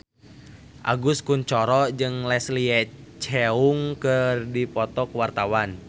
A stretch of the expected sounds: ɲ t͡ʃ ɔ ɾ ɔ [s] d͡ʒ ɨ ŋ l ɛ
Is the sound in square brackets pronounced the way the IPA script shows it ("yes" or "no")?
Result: no